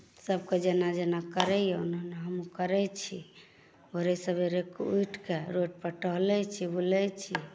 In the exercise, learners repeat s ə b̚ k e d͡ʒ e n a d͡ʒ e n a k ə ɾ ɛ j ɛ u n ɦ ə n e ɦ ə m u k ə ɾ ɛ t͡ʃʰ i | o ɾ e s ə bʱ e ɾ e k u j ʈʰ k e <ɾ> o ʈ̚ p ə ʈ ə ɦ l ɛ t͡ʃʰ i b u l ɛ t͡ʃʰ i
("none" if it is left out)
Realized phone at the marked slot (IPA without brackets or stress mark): ɾ